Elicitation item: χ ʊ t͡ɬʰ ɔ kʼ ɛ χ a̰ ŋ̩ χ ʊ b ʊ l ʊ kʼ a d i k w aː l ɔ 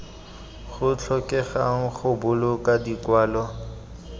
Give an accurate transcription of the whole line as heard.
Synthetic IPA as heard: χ ʊ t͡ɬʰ ɔ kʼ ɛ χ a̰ ŋ̩ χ ʊ b ʊ l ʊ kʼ a d i k w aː l ɔ